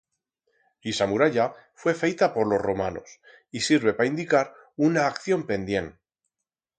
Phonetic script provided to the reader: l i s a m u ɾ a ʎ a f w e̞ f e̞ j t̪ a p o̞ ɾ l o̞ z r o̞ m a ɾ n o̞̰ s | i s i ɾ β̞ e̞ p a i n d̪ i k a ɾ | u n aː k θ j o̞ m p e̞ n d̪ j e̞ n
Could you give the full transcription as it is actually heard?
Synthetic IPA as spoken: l i s a m u ɾ a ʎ a f w e̞ f e̞ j t̪ a p o̞ ɾ l o̞ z r o̞ m a n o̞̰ s | i s i ɾ β̞ e̞ p a i n d̪ i k a ɾ | u n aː k θ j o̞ m p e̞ n d̪ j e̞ n

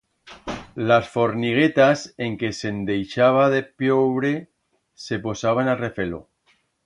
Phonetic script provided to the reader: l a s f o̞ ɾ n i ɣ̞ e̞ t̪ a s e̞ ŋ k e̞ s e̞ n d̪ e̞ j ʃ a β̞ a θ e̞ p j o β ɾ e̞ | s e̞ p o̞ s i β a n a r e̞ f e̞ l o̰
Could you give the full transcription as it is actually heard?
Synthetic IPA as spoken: l a s f o̞ ɾ n i ɣ̞ e̞ t̪ a s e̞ ŋ k e̞ s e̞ n d̪ e̞ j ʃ a β̞ a ð e̞ p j o β ɾ e̞ | s e̞ p o̞ s a β a n a r e̞ f e̞ l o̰

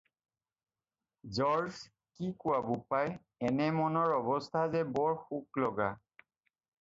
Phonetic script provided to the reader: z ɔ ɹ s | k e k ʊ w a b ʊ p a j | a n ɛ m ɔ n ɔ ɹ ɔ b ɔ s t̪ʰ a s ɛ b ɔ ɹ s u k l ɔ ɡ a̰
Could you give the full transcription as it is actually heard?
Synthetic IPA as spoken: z ɔ ɹ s | k i k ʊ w a b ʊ p a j | ɛ n ɛ m ɔ n ɔ ɹ ɔ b ɔ s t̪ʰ a z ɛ b ɔ ɹ x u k l ɔ ɡ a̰

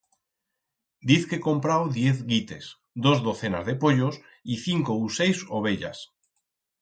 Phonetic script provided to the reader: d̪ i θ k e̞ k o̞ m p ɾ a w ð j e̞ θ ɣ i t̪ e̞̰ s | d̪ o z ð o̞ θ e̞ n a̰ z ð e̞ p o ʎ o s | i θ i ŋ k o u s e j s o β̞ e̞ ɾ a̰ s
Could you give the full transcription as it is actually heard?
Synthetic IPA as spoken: d̪ i θ k e̞ k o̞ m p ɾ a w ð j e̞ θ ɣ i t̪ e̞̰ s | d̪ o z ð o̞ θ e̞ n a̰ z ð e̞ p o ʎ o s | i θ i ŋ k o u s e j s o β̞ e̞ ʎ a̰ s

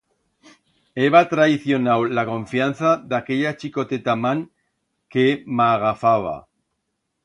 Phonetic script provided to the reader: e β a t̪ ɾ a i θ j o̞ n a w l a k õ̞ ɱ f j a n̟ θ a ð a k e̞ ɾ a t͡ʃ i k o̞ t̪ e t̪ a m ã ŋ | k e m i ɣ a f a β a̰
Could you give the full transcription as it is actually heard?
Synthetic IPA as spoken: e β a t̪ ɾ a i θ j o̞ n a w l a k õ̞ ɱ f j a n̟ θ a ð a k e̞ ʎ a t͡ʃ i k o̞ t̪ e t̪ a m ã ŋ | k e m a ɣ a f a β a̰

